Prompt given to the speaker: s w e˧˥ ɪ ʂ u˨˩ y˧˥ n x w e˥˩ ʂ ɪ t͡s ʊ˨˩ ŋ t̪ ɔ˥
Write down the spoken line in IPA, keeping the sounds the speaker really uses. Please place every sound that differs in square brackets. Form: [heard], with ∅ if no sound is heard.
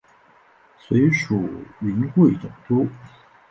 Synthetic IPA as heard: s w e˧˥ ɪ ʂ u˨˩ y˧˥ n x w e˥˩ [∅] ɪ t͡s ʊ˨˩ ŋ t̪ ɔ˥